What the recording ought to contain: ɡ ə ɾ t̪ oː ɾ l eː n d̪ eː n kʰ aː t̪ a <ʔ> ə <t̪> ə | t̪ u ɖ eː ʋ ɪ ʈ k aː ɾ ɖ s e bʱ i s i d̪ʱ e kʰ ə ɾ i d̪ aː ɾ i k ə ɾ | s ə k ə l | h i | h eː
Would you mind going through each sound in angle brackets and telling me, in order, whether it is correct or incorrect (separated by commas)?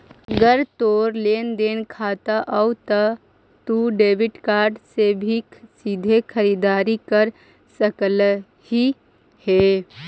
correct, correct